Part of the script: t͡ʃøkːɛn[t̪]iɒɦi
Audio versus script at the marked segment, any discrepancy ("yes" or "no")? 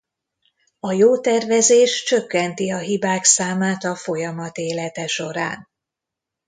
no